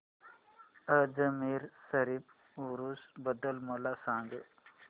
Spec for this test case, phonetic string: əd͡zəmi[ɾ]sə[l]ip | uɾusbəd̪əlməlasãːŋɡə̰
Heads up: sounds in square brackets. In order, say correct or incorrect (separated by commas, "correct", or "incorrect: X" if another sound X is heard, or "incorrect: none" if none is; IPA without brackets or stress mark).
correct, incorrect: ɾ